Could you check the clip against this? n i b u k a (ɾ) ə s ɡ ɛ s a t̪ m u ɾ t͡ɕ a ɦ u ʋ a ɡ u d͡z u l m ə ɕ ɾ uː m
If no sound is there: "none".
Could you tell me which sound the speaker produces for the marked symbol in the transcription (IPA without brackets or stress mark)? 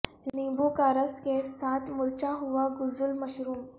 ɾ